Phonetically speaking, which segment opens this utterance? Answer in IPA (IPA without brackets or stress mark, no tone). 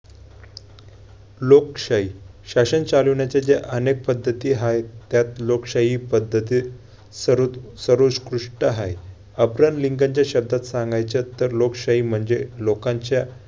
l